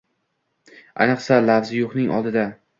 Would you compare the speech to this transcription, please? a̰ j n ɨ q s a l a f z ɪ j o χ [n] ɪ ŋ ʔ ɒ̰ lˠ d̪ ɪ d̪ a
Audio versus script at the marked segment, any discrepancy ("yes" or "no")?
no